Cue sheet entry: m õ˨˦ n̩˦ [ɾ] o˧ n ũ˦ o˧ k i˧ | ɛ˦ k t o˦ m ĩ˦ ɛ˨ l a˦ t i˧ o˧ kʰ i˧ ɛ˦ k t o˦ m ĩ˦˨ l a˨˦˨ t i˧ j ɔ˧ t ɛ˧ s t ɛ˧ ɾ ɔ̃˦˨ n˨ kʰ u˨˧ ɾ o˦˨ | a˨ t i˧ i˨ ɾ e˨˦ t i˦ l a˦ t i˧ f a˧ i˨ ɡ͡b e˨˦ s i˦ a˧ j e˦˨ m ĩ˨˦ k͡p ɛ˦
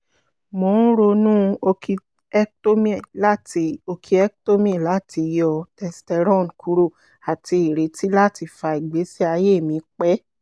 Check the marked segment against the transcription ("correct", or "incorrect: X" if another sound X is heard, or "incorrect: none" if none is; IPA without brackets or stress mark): correct